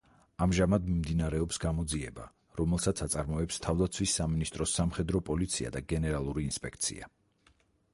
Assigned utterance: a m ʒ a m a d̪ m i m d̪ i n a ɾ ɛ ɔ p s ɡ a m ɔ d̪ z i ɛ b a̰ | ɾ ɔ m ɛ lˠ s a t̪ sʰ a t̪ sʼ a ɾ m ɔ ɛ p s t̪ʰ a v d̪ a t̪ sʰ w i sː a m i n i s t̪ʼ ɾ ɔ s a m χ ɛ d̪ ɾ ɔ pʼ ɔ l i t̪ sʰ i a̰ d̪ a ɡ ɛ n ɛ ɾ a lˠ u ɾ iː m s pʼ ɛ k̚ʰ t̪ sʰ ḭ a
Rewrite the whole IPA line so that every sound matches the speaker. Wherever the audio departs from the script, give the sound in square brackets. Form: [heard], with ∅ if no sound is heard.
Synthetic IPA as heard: a m ʒ a m a d̪ m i m d̪ i n a ɾ ɛ ɔ p s ɡ a m ɔ d̪ z i ɛ b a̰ | ɾ ɔ m ɛ lˠ s a t̪ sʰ a t̪ sʼ a ɾ m ɔ ɛ p s t̪ʰ a v d̪ a t̪ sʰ w i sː a m i n i s t̪ʼ ɾ ɔ s a m χ ɛ d̪ ɾ ɔ pʼ ɔ l i t̪ sʰ i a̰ d̪ a ɡ ɛ n ɛ ɾ a lˠ u ɾ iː [n] s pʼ ɛ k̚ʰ t̪ sʰ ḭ a

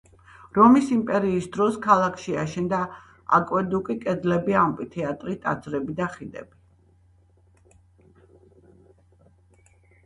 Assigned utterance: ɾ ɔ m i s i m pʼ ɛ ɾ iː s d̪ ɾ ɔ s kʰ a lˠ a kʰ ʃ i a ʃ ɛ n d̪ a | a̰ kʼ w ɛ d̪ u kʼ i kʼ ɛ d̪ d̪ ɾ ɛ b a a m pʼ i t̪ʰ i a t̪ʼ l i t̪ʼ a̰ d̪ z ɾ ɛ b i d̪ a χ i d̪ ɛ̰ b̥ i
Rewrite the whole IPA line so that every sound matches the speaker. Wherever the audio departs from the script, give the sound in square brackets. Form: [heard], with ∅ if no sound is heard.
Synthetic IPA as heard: ɾ ɔ m i s i m pʼ ɛ ɾ iː s d̪ ɾ ɔ s kʰ a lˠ a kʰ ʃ i a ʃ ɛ n d̪ a | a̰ kʼ w ɛ d̪ u kʼ i kʼ ɛ d̪ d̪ [l] ɛ b [i] a m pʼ i t̪ʰ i a t̪ʼ [ɾ] i t̪ʼ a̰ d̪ z ɾ ɛ b i d̪ a χ i d̪ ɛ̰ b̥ i

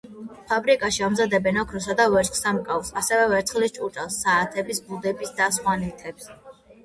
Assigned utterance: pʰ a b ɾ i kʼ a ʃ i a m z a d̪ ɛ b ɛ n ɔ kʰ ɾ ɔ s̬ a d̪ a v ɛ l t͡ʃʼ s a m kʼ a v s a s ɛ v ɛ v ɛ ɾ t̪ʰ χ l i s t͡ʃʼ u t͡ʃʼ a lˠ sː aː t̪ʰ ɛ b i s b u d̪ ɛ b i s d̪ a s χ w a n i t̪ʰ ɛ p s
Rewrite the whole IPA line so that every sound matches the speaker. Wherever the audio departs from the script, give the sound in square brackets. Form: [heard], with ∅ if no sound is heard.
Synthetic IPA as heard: pʰ a b ɾ i kʼ a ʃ i a m z a d̪ ɛ b ɛ n ɔ kʰ ɾ ɔ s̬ a d̪ a v ɛ [ɾ] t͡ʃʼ s a m kʼ a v s a s ɛ v ɛ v ɛ ɾ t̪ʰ χ l i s t͡ʃʼ u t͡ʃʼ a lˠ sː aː t̪ʰ ɛ b i s b u d̪ ɛ b i s d̪ a s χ w a n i t̪ʰ ɛ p s

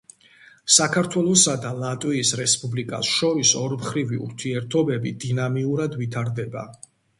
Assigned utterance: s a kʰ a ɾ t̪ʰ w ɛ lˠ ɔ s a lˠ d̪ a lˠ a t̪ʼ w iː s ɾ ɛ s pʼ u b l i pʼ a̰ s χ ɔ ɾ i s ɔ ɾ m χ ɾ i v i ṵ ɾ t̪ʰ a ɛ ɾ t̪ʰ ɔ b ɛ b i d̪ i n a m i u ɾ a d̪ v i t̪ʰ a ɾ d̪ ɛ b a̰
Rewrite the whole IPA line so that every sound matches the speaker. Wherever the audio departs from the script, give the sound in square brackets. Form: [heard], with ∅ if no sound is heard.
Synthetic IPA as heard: s a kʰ a ɾ t̪ʰ w ɛ lˠ ɔ s a [∅] d̪ a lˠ a t̪ʼ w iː s ɾ ɛ s pʼ u b l i [kʼ] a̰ s [ʃ] ɔ ɾ i s ɔ ɾ m χ ɾ i v i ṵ ɾ t̪ʰ [i] ɛ ɾ t̪ʰ ɔ b ɛ b i d̪ i n a m i u ɾ a d̪ v i t̪ʰ a ɾ d̪ ɛ b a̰

